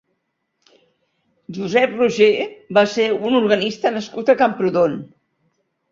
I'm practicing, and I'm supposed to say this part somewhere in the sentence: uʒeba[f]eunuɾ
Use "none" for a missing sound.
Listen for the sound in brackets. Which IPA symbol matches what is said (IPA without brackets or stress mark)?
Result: s